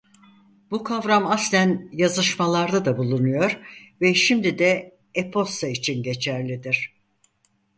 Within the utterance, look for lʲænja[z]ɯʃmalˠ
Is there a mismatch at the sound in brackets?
no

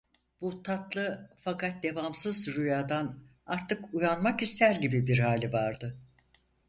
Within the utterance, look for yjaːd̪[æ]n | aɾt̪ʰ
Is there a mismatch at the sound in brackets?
yes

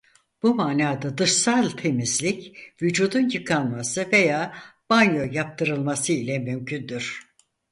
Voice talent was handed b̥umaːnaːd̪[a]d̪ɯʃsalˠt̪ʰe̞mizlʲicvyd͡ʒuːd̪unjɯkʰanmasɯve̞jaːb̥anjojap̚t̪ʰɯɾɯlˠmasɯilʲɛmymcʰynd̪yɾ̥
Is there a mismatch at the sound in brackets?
no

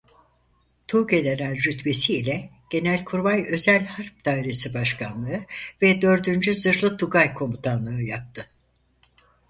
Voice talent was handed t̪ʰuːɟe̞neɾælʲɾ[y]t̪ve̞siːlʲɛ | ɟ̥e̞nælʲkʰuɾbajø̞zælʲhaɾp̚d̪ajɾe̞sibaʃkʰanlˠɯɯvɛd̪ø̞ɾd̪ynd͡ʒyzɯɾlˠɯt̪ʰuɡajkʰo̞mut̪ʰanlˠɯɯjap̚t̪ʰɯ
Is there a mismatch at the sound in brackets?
no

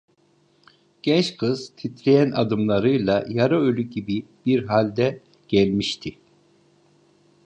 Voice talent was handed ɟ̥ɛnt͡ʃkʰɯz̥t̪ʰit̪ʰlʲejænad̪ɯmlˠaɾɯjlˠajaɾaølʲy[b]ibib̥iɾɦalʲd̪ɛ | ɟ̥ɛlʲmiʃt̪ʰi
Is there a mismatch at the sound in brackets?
yes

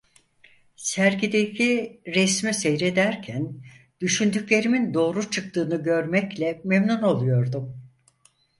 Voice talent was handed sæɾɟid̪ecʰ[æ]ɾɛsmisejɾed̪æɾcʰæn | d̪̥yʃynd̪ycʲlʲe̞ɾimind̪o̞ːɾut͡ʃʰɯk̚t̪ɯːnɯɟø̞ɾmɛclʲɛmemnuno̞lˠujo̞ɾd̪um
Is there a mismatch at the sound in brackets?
yes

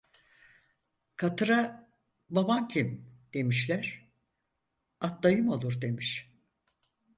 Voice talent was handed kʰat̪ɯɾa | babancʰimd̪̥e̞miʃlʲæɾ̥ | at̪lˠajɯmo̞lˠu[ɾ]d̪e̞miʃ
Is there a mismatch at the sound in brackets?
no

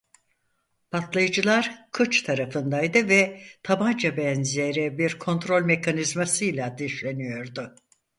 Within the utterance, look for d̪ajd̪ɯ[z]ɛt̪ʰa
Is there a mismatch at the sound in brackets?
yes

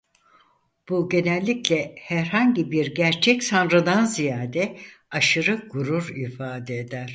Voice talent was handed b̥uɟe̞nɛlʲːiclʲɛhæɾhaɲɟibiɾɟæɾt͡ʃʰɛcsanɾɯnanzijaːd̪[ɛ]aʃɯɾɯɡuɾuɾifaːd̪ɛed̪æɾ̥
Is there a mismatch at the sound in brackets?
no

